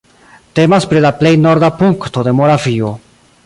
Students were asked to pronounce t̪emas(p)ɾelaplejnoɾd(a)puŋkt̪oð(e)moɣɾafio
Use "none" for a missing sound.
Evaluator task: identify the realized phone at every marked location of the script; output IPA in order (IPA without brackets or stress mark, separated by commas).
p, a, e